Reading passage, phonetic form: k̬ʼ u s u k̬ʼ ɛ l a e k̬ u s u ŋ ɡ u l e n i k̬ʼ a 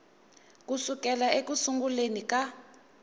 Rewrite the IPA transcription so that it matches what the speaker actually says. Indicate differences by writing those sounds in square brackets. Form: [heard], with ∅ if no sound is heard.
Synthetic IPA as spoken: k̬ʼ u s u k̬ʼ ɛ l a e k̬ u s u ŋ ɡ u l e n i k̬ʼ a